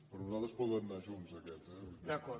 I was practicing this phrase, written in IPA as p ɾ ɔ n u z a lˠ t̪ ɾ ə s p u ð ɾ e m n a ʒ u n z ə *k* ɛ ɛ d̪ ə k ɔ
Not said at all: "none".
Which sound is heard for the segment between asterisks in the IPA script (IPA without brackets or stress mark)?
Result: k